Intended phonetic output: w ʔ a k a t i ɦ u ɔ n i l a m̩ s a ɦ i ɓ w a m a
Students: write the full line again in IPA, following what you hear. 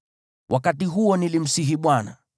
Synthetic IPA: w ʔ a k a t i ɦ u ɔ n i l i m̩ s i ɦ i ɓ w a n a